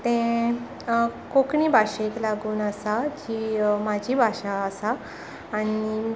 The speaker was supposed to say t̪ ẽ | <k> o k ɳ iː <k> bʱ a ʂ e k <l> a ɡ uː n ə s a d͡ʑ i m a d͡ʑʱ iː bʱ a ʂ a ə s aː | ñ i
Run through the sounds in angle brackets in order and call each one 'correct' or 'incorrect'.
correct, incorrect, correct

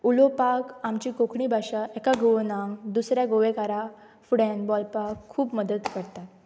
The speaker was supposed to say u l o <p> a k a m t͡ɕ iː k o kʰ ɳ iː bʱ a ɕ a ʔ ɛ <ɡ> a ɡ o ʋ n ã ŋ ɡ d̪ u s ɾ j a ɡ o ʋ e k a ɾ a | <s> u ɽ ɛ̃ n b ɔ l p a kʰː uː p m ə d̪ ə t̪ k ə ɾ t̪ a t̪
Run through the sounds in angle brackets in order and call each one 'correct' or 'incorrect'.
correct, incorrect, incorrect

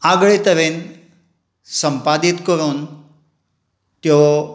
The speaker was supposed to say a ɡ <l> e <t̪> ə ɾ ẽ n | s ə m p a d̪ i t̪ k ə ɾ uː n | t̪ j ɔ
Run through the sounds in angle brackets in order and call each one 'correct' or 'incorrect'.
incorrect, correct

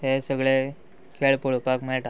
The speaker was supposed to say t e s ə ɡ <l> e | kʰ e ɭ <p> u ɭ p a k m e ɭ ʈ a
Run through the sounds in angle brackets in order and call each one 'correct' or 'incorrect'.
incorrect, correct

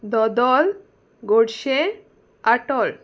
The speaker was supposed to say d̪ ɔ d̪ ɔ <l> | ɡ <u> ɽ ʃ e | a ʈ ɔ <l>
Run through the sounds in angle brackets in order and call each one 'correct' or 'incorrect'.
correct, incorrect, correct

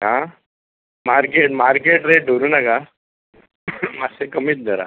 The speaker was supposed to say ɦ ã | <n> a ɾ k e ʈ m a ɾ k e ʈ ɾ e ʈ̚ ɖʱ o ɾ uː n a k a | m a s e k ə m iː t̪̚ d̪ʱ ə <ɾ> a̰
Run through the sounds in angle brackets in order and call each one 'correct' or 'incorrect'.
incorrect, correct

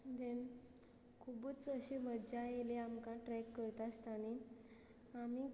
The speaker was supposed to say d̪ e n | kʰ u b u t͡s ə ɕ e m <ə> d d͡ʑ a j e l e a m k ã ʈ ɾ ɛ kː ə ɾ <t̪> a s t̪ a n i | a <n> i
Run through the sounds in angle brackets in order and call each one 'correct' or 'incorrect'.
correct, correct, incorrect

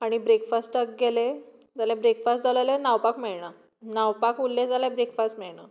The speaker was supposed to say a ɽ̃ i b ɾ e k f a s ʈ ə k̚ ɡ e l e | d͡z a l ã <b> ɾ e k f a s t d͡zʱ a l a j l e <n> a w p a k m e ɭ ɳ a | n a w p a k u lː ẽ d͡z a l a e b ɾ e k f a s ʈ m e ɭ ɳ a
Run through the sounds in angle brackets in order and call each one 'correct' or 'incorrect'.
correct, correct

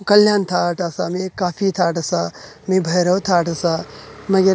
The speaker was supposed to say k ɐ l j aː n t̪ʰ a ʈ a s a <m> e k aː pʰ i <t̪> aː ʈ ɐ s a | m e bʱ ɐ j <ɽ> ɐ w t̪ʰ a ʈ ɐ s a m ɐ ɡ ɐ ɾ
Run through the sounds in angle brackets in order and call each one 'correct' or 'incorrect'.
correct, incorrect, incorrect

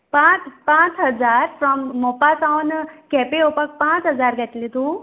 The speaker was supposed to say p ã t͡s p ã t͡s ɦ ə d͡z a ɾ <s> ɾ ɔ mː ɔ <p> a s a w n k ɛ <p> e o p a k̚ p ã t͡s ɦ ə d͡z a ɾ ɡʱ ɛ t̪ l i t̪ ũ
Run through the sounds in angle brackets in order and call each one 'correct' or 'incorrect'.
incorrect, correct, correct

